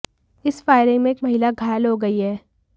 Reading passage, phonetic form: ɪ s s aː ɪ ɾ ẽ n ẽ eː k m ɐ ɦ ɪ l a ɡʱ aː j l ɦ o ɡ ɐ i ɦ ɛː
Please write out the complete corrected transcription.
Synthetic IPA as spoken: ɪ s f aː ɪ ɾ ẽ m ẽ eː k m ɐ ɦ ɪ l a ɡʱ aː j l ɦ o ɡ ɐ i ɦ ɛː